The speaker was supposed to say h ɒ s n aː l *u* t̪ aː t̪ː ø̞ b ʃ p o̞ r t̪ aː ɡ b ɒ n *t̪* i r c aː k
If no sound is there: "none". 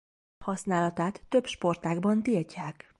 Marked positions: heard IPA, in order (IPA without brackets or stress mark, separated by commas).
ɒ, t̪